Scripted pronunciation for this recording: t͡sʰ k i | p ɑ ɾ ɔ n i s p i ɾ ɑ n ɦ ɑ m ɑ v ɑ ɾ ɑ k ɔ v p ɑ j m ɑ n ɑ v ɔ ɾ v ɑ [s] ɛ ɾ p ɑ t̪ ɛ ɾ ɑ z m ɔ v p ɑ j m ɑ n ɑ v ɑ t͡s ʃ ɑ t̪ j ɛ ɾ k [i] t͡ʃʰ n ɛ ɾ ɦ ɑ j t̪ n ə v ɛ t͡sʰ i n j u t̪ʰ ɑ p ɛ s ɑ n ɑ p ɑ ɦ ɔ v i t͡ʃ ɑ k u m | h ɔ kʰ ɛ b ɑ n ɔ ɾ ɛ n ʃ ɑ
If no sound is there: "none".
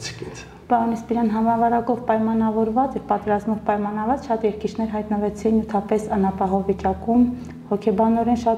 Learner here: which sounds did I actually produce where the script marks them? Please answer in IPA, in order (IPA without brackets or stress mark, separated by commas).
t͡s, i